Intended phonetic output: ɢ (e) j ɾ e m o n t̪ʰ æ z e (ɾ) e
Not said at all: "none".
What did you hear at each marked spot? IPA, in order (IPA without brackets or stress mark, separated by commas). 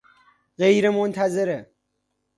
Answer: e, ɾ